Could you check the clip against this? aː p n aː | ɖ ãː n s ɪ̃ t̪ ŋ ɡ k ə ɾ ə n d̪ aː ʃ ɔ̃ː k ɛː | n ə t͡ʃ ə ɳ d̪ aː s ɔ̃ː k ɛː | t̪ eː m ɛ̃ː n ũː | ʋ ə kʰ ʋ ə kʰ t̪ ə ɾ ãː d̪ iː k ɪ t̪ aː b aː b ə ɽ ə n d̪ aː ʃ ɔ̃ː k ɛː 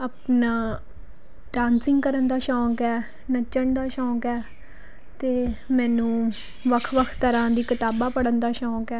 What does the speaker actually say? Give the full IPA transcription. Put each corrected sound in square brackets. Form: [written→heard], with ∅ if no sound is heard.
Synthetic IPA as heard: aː p n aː | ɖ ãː n s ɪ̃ [t̪→∅] ŋ ɡ k ə ɾ ə n d̪ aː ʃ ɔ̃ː k ɛː | n ə t͡ʃ ə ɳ d̪ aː [s→ʃ] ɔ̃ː k ɛː | t̪ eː m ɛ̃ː n ũː | ʋ ə kʰ ʋ ə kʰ t̪ ə ɾ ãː d̪ iː k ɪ t̪ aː b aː [b→p] ə ɽ ə n d̪ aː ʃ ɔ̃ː k ɛː